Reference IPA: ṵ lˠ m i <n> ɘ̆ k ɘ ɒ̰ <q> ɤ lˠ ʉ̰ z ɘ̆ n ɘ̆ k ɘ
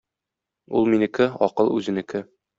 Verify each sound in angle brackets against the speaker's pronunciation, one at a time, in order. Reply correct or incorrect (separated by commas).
correct, correct